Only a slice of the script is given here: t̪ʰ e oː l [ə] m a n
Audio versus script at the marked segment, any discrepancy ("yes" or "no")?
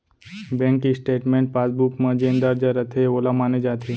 yes